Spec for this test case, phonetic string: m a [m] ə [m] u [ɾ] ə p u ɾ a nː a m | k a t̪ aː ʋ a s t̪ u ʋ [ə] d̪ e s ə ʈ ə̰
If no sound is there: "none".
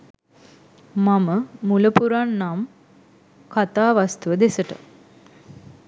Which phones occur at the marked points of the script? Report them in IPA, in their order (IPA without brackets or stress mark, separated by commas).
m, m, l, ə